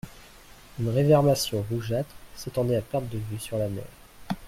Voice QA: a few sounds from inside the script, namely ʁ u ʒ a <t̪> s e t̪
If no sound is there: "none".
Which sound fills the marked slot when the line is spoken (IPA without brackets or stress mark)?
t̪